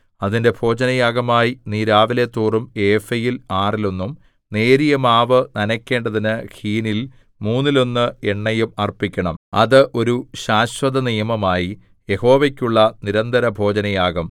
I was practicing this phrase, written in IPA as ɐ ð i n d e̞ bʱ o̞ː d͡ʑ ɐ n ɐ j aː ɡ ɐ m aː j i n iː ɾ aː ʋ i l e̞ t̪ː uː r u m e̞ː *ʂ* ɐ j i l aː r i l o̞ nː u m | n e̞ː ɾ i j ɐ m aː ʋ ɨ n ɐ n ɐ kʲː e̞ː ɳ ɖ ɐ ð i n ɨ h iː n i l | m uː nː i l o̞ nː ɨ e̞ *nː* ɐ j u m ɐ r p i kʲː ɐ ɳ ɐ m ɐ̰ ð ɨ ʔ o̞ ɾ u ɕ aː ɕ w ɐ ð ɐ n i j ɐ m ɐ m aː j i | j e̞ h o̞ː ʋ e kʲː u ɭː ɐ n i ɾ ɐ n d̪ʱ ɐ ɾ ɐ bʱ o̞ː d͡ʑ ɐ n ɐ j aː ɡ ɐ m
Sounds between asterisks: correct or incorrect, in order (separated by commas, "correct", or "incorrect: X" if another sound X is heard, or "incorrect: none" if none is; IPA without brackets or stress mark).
incorrect: f, incorrect: ɳː